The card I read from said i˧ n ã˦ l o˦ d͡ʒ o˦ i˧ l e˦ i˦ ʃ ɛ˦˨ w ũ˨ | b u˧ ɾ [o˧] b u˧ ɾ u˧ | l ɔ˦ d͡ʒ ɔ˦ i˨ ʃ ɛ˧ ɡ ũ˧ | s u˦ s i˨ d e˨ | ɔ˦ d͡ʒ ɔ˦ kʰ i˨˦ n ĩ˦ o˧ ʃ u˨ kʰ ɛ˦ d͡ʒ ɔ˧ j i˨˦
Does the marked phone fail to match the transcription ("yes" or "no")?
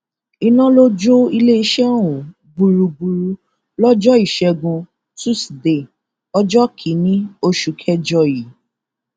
yes